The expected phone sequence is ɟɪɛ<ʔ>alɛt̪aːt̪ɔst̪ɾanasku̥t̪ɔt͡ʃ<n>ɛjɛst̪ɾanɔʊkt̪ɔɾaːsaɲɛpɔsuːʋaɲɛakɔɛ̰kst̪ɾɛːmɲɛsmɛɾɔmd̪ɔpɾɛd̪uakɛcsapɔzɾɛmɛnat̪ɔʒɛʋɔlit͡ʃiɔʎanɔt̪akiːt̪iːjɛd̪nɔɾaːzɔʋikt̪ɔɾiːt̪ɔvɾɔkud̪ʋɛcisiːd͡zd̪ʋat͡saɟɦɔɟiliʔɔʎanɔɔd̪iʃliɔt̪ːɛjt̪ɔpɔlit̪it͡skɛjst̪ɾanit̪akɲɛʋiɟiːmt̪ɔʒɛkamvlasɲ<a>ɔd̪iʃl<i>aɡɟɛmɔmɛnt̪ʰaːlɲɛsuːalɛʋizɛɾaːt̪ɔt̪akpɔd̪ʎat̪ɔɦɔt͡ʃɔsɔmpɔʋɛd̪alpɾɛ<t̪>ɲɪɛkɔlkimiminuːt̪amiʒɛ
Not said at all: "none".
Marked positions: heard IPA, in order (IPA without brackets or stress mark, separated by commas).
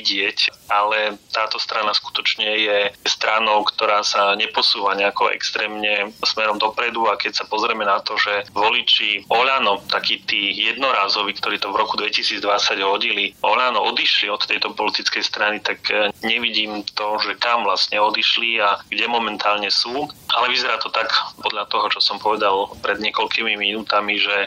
c, ɲ, ɛ, i, d̪